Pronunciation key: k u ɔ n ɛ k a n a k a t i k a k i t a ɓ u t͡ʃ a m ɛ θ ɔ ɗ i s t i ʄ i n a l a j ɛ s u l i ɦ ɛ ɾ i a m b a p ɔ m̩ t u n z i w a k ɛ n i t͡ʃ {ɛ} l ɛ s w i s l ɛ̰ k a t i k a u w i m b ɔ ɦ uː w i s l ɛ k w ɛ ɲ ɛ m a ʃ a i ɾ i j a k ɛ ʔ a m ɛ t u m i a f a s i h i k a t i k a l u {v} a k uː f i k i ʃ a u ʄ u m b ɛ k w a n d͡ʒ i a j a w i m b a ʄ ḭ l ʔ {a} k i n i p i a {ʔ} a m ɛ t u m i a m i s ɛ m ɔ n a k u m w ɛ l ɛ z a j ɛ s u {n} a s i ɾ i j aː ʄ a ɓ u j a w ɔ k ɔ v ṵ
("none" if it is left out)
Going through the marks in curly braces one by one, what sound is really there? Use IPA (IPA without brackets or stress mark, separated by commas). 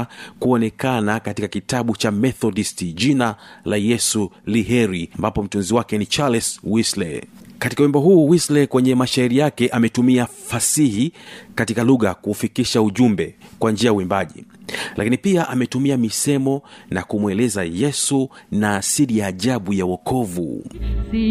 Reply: a, ɣ, a, ʔ, n